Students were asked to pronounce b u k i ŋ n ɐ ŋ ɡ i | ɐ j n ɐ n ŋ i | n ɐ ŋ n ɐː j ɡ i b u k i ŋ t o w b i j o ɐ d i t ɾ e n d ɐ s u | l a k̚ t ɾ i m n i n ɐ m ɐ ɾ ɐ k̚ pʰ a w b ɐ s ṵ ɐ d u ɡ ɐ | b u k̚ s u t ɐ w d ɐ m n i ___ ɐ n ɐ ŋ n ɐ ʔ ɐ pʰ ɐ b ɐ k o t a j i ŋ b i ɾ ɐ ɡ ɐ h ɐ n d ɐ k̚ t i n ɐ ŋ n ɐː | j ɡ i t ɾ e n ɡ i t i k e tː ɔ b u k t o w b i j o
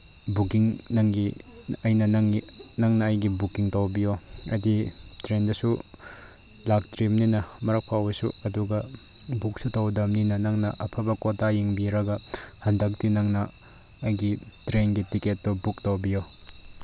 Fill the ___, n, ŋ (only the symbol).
n